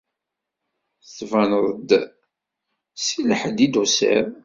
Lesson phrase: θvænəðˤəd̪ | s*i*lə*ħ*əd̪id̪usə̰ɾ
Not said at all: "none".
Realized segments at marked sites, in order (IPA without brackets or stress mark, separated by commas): i, ħ